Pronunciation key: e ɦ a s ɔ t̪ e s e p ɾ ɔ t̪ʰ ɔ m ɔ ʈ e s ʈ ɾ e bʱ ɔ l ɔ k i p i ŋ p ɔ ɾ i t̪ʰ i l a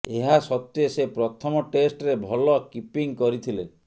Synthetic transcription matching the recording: e ɦ a s ɔ t̪ e s e p ɾ ɔ t̪ʰ ɔ m ɔ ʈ e s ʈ ɾ e bʱ ɔ l ɔ k i p i ŋ k ɔ ɾ i t̪ʰ i l e